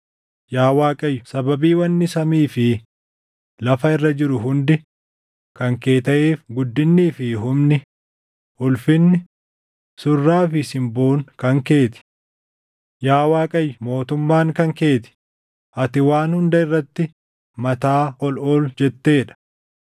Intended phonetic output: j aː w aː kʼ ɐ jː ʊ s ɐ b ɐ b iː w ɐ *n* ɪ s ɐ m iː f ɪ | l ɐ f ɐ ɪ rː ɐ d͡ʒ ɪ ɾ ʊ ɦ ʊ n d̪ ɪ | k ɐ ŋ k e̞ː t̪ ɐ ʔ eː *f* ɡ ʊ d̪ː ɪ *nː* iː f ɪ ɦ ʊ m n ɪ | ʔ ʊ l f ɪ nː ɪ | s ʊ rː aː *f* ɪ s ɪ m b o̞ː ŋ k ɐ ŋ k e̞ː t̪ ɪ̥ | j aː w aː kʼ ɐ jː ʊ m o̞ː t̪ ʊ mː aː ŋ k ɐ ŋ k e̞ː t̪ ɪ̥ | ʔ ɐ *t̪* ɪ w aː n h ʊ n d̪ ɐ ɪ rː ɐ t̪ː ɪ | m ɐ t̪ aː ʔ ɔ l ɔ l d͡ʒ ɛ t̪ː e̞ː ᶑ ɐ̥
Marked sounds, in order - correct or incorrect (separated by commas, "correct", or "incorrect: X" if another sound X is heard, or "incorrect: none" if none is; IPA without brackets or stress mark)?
incorrect: nː, correct, correct, correct, correct